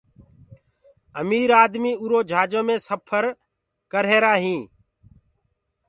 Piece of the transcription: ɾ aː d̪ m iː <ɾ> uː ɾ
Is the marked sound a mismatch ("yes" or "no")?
yes